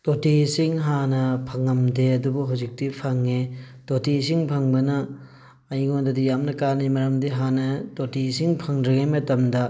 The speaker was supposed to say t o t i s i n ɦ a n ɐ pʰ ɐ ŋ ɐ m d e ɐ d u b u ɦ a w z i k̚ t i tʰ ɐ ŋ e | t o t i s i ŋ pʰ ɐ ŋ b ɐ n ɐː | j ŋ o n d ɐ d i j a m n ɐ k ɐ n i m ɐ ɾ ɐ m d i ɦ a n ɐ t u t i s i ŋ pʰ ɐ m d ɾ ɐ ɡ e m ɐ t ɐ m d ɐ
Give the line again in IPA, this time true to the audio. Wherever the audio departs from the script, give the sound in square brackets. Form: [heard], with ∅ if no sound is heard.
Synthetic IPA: t o t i s i [ŋ] ɦ a n ɐ pʰ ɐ ŋ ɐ m d e ɐ d u b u ɦ a w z i k̚ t i [pʰ] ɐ ŋ e | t o t i s i ŋ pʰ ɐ ŋ b ɐ n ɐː | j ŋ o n d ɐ d i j a m n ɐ k [a] n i m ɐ ɾ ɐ m d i ɦ a n ɐ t [o] t i s i ŋ pʰ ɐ [ŋ] d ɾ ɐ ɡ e m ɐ t ɐ m d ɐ